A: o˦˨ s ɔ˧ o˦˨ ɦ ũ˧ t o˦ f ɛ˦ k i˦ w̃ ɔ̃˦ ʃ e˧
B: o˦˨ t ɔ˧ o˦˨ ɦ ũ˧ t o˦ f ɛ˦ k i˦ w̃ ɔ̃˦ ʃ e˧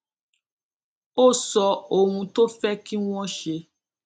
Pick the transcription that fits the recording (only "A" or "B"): A